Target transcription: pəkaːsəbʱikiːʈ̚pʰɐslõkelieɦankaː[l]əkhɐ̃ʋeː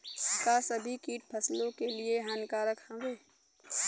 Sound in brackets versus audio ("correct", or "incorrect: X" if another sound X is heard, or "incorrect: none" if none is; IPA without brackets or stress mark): incorrect: ɾ